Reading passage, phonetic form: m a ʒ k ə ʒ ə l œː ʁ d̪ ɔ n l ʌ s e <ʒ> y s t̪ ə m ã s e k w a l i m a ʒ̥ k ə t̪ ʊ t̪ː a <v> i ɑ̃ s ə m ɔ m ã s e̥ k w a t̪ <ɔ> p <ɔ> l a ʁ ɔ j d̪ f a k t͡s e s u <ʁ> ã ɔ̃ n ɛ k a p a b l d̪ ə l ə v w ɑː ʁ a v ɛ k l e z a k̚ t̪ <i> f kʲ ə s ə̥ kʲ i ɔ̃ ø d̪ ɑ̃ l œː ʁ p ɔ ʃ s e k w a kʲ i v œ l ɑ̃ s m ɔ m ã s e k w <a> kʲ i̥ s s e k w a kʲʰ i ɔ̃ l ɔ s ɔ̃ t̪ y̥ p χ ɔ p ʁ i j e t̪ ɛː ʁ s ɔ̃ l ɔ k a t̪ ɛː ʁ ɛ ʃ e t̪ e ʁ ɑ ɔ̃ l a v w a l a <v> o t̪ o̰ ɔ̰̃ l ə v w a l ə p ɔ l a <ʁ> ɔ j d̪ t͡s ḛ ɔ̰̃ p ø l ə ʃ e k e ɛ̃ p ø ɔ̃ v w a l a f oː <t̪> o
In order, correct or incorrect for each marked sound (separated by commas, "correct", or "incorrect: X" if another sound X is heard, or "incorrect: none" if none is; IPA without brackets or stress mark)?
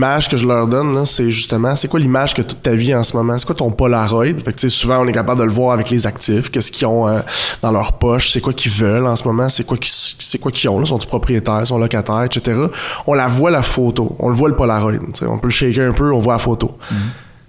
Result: correct, correct, incorrect: ɔ̃, correct, incorrect: v, incorrect: ɪ, correct, incorrect: f, correct, correct